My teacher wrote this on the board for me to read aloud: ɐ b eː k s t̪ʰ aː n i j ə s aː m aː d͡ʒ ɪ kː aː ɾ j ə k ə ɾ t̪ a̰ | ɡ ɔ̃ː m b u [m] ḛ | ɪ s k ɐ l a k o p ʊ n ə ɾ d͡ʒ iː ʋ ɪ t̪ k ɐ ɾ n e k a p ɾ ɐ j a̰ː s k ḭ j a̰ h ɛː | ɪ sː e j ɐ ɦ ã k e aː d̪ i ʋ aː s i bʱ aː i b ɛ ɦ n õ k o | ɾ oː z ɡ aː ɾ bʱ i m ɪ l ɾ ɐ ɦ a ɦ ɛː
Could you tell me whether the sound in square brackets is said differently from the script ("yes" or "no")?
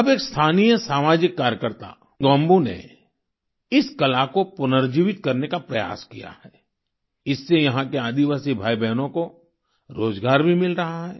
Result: yes